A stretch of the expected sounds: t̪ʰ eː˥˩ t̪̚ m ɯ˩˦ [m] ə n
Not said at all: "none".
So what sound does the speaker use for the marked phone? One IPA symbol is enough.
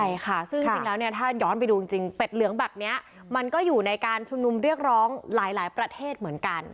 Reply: none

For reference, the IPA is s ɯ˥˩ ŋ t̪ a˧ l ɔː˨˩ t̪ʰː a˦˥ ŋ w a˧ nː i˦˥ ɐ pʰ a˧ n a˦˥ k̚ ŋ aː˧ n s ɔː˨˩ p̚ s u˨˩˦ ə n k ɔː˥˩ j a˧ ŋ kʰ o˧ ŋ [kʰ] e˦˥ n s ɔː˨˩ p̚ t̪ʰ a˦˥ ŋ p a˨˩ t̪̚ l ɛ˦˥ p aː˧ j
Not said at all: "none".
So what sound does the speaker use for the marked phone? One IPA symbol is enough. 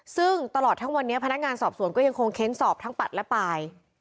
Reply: kʰ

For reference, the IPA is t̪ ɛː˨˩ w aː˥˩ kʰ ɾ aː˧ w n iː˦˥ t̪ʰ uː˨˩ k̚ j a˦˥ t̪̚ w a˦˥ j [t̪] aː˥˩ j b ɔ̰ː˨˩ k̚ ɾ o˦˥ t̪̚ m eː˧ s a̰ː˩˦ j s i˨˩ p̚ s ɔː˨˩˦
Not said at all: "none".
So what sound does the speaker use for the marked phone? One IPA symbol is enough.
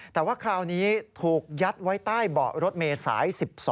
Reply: t̪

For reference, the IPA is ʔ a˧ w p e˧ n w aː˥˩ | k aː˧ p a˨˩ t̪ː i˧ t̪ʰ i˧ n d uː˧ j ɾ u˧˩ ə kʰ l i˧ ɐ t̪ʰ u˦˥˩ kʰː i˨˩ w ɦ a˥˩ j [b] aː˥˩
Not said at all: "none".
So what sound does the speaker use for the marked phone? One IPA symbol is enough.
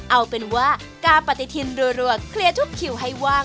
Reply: w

